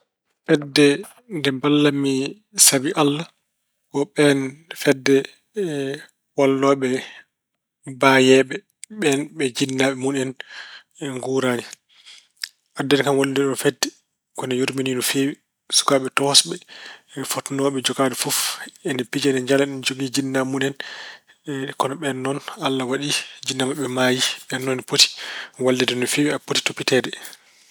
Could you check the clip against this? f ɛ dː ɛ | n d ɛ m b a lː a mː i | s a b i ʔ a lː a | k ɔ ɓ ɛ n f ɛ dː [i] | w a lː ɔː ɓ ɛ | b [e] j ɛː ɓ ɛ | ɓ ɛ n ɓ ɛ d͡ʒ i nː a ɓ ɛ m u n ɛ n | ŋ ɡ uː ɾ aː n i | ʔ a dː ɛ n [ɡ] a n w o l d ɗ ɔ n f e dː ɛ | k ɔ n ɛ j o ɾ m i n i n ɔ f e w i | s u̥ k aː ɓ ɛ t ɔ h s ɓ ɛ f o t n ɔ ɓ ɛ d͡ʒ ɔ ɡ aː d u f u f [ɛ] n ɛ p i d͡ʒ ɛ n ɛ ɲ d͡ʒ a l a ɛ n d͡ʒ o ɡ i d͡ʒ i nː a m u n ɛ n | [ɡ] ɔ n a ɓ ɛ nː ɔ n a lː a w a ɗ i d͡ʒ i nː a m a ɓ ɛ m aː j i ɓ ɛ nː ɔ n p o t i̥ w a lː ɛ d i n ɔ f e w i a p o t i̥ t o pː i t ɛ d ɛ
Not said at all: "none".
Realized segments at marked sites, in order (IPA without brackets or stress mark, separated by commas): ɛ, a, k, ɛ, k